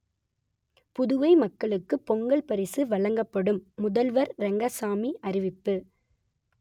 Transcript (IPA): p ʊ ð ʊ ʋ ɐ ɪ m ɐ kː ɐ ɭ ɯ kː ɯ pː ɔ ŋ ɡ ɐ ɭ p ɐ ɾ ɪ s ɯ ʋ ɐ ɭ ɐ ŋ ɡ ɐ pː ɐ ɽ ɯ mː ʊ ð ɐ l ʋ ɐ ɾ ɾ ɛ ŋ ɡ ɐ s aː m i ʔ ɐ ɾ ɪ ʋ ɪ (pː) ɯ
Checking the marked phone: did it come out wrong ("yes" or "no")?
no